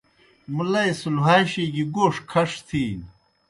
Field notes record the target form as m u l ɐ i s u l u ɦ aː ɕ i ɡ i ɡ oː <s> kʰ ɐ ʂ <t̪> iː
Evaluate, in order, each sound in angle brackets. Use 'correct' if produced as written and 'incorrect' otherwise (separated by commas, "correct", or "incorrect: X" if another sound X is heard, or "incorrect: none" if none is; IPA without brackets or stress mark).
incorrect: ʂ, incorrect: t̪ʰ